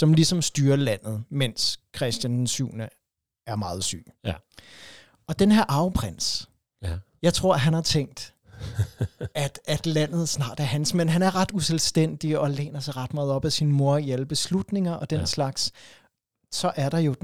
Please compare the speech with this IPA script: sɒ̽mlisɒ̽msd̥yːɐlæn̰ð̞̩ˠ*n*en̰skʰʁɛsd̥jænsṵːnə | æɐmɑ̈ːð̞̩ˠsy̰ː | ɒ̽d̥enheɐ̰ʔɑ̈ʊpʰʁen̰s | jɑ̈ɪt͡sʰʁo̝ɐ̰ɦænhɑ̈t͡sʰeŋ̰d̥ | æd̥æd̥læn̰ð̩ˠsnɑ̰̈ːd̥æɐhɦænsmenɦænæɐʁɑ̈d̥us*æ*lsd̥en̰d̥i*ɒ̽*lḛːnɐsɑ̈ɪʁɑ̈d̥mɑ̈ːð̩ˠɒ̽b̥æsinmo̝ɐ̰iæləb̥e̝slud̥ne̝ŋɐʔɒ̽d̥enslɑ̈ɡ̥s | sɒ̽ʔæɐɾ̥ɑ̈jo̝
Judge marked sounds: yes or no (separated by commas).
no, no, yes